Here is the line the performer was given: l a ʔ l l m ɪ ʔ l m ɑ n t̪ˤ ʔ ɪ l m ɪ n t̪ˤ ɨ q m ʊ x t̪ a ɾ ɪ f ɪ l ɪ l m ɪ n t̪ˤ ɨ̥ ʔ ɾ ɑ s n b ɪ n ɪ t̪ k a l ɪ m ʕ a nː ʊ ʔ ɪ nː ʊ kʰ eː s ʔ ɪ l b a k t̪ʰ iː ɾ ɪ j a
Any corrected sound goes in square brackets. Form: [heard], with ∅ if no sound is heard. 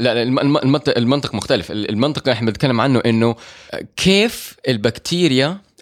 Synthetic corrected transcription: l a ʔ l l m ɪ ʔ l m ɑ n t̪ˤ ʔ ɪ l m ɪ n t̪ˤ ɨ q m ʊ x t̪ a [l] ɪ f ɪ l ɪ l m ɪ n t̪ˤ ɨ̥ [q] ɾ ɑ [ħ] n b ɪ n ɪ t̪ k a [lː] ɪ m ʕ a nː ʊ ʔ ɪ nː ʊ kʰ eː [f] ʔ ɪ l b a k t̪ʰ iː ɾ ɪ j a